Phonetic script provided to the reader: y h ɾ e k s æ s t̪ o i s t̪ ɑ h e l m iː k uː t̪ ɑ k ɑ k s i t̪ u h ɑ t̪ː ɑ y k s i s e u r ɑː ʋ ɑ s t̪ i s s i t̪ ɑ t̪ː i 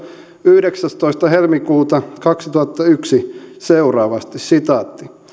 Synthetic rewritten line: y h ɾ e k s æ s t̪ o i s t̪ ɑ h e l m i k uː t̪ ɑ k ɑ k s i t̪ u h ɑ t̪ː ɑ y k s i s e u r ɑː ʋ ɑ s t̪ i s s i t̪ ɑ t̪ː i